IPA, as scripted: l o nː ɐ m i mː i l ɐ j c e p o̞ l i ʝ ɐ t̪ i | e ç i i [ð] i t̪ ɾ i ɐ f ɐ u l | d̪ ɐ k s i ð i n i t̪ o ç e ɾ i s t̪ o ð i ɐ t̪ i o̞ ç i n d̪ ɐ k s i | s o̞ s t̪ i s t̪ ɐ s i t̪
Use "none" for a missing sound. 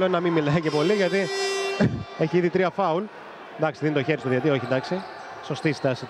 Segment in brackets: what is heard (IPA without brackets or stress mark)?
ð